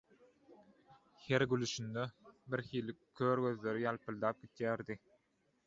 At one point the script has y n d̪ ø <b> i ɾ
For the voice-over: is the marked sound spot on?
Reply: yes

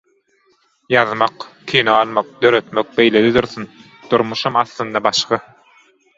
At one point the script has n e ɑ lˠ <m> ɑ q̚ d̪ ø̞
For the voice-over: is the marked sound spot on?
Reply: yes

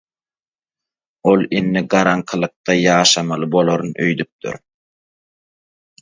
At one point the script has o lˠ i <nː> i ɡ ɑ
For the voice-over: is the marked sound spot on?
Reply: yes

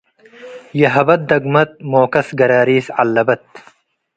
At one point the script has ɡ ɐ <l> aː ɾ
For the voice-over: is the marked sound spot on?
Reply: no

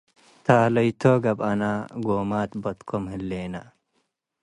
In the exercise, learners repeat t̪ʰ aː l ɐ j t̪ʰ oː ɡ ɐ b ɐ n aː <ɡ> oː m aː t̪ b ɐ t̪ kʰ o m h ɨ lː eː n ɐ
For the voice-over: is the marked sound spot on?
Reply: yes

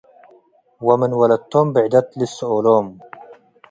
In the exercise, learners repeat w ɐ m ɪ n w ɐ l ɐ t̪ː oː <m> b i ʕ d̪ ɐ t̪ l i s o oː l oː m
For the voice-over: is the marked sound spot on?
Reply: yes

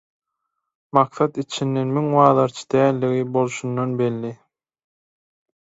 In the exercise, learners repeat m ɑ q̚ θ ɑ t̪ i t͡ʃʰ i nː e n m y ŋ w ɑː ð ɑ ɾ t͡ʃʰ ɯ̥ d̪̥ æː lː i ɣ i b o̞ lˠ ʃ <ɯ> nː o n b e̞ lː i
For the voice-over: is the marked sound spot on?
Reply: no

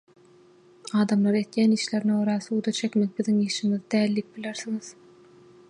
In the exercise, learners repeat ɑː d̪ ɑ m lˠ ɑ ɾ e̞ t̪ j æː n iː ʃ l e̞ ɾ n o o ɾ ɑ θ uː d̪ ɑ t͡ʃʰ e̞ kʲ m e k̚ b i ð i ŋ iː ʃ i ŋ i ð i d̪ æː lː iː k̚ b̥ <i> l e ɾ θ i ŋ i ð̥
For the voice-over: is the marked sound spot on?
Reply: yes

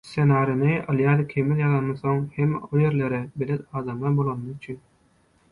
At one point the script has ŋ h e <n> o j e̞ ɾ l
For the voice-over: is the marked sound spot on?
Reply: no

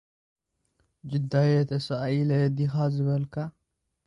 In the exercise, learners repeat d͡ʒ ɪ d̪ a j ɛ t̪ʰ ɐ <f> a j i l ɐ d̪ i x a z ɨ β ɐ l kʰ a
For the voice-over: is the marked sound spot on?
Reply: no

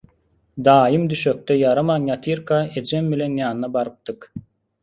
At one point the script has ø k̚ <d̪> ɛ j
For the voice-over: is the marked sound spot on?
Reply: no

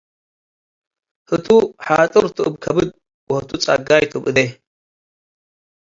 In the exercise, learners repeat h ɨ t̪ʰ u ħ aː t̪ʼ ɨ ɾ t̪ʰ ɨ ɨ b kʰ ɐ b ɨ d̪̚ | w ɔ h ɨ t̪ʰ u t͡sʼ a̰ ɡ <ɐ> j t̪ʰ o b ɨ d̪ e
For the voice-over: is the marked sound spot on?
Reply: no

